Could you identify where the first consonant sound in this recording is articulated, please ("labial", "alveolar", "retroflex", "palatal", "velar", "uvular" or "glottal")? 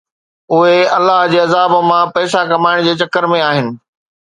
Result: glottal